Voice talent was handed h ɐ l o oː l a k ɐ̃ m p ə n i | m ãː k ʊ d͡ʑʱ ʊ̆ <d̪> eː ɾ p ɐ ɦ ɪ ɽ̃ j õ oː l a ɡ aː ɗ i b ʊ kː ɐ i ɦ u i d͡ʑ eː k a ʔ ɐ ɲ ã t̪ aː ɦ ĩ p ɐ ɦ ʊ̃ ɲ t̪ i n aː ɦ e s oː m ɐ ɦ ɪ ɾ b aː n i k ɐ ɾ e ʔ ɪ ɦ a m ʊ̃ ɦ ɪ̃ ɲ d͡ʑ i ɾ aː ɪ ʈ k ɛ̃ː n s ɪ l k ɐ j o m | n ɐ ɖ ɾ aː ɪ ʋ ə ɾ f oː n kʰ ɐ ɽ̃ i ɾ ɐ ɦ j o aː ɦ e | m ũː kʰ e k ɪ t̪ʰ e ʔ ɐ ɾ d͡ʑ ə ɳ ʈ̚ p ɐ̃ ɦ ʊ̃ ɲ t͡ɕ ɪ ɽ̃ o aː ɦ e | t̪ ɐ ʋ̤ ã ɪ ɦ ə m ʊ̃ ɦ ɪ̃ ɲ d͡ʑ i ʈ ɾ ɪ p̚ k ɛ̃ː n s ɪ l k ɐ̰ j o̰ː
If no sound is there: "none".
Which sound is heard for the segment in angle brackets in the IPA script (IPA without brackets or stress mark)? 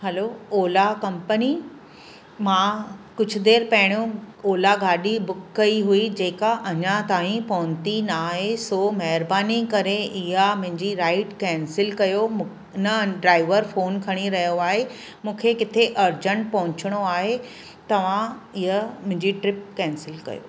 d̪